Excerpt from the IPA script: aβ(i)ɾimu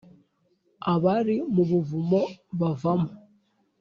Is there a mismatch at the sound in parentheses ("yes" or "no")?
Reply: yes